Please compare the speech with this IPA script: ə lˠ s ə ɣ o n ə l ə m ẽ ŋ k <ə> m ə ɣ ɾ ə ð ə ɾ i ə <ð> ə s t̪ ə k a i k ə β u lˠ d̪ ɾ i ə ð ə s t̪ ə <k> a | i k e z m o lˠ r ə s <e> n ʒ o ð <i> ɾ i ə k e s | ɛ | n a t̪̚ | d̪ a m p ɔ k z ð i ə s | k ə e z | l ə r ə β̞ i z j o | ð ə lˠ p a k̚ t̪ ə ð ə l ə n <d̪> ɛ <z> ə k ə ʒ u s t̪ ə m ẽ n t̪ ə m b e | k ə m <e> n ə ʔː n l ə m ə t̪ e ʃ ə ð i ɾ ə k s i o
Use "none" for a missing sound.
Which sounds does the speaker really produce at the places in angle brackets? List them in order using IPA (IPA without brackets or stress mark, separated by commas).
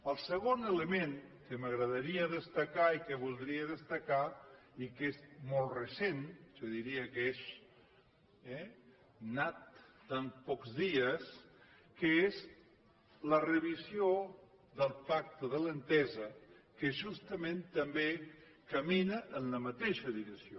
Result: ə, ð, k, e, i, t̪, z, i